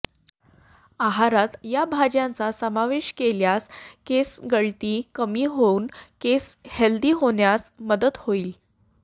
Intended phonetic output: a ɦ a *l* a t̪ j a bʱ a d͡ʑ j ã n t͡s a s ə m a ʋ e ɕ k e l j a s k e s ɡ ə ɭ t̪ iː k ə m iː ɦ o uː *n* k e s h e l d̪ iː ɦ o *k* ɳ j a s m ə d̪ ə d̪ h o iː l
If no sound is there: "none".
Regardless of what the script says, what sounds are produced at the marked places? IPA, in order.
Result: ɾ, n, none

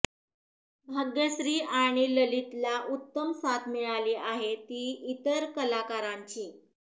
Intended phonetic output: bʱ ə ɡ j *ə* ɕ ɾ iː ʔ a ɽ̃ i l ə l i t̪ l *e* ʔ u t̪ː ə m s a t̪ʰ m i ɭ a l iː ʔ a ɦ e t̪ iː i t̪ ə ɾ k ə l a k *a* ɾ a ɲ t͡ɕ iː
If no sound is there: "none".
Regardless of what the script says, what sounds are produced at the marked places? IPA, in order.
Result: ə, a, a

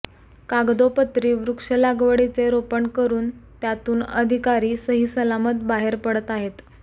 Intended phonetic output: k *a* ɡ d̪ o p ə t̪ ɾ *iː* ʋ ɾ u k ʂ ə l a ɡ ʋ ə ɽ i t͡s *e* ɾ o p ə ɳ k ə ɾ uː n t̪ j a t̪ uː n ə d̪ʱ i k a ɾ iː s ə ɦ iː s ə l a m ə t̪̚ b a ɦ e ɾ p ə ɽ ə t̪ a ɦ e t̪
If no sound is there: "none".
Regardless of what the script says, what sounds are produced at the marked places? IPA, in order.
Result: a, iː, e

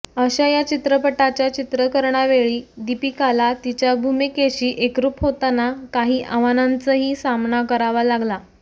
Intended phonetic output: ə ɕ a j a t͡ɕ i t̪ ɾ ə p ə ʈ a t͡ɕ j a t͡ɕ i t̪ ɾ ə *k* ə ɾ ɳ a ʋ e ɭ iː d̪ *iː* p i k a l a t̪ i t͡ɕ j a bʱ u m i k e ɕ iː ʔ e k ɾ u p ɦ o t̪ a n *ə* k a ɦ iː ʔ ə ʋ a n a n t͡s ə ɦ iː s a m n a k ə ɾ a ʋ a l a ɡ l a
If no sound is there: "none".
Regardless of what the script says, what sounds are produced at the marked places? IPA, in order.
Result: k, i, a

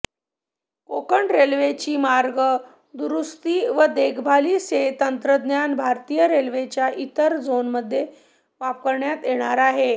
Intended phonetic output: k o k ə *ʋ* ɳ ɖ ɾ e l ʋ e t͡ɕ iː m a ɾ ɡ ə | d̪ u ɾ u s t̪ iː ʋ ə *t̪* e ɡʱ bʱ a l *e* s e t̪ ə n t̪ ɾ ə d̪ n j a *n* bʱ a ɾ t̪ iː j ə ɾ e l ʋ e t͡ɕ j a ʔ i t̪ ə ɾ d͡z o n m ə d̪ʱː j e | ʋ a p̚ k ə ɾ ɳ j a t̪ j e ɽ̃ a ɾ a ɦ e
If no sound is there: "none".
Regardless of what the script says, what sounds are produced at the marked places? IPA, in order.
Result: none, d̪, i, n

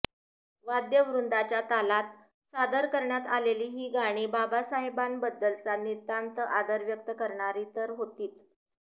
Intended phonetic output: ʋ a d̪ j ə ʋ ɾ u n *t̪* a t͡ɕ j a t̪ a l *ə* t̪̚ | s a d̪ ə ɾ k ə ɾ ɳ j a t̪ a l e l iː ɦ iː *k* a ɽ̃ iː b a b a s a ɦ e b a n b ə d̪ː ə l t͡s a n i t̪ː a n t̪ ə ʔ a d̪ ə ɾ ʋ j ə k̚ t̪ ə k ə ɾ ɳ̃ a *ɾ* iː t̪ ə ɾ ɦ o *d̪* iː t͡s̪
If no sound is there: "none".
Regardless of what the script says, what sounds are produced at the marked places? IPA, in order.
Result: d̪, a, ɡ, ɾ, t̪

